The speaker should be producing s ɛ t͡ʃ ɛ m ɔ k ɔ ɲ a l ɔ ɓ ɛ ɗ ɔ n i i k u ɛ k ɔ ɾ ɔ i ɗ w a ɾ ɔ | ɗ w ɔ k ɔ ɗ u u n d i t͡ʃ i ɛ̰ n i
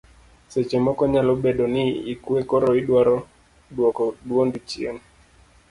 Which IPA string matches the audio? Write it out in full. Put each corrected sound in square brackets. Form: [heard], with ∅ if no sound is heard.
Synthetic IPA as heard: s ɛ t͡ʃ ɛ m ɔ k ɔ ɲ a l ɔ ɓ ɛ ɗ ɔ n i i k u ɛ k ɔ ɾ ɔ i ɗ w a ɾ ɔ | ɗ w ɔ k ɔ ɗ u [ɔ] n d i t͡ʃ i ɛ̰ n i